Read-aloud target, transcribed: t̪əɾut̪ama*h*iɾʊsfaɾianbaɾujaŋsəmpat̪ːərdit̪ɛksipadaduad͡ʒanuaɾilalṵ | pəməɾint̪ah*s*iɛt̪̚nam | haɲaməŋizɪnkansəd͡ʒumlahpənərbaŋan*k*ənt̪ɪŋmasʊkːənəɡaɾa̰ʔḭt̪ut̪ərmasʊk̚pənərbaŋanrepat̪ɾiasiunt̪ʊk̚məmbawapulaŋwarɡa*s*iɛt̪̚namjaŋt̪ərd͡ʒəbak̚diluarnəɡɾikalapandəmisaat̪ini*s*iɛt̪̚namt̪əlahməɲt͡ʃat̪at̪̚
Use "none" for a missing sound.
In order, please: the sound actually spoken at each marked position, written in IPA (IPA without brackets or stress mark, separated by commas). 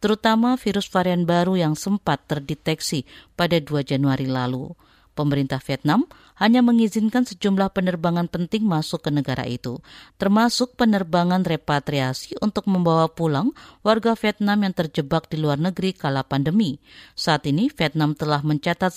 f, f, p, f, f